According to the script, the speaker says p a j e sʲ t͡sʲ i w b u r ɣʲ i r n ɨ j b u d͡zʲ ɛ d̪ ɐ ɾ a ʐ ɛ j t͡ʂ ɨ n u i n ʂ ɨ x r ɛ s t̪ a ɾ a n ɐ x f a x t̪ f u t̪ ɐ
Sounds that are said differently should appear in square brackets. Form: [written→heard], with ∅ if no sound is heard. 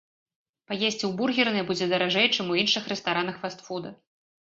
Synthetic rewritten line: p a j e sʲ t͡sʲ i w b u r ɣʲ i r n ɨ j b u d͡zʲ ɛ d̪ ɐ ɾ a ʐ ɛ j t͡ʂ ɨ [n→m] u i n ʂ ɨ x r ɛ s t̪ a ɾ a n ɐ x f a [x→s] t̪ f u [t̪→d̪] ɐ